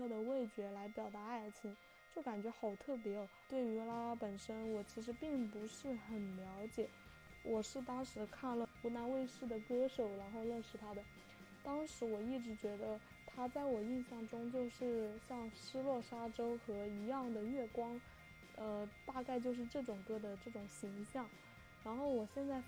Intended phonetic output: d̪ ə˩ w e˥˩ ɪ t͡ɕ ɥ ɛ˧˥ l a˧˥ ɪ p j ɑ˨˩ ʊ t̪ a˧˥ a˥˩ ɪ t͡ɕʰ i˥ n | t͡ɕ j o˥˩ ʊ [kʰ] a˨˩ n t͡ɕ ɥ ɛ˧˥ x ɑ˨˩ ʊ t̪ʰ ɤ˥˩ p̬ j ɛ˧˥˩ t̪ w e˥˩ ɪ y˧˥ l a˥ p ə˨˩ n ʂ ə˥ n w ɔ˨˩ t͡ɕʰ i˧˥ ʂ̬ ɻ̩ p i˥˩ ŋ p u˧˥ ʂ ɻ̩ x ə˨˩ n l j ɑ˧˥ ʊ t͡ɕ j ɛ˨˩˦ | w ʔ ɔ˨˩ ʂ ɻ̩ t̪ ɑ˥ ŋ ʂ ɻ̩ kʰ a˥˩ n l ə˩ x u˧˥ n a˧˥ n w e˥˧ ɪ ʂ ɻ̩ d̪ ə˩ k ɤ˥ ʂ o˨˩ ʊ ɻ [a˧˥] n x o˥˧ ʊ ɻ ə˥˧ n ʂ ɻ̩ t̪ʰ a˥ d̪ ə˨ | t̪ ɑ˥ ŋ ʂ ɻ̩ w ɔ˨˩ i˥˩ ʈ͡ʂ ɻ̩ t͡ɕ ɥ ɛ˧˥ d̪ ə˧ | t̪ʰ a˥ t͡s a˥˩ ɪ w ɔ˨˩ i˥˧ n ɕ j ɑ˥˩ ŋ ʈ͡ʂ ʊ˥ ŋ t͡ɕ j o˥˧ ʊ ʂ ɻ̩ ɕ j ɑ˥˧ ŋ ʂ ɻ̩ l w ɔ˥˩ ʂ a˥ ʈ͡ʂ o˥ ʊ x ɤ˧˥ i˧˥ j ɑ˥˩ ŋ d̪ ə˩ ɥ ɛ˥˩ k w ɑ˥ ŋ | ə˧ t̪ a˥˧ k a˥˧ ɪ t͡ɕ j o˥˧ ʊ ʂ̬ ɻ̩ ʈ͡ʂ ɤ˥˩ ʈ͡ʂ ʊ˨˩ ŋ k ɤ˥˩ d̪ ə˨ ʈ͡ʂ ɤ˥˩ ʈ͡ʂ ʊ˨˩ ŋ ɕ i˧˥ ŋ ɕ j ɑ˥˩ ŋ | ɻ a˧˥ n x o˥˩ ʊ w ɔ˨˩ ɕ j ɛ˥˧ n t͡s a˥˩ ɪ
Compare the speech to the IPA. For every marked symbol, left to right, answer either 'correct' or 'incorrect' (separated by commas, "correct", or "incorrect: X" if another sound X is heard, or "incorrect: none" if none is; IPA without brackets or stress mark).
incorrect: k, correct